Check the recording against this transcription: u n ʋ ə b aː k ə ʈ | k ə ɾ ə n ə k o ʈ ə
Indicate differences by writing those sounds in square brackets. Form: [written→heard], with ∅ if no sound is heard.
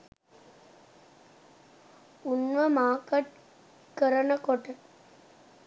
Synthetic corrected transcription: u n ʋ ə [b→m] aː k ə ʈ | k ə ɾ ə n ə k o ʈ ə